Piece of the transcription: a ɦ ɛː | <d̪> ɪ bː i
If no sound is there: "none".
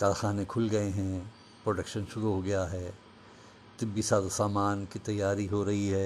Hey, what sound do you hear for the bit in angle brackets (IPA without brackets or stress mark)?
t̪